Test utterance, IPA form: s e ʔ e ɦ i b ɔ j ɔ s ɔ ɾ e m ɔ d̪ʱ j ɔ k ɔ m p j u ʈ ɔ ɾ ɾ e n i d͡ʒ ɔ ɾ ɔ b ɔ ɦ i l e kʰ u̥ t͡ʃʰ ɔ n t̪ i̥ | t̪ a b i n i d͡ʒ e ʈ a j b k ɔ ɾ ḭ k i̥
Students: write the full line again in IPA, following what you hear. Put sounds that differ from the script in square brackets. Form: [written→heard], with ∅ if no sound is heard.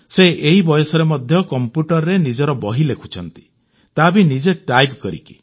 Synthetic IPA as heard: s e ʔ e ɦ i b ɔ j ɔ s ɔ ɾ e m ɔ d̪ʱ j ɔ k ɔ m p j u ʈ ɔ ɾ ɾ e n i d͡ʒ ɔ ɾ ɔ b ɔ ɦ i l e kʰ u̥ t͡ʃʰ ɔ n t̪ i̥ | t̪ a b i n i d͡ʒ e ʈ a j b k ɔ ɾ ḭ k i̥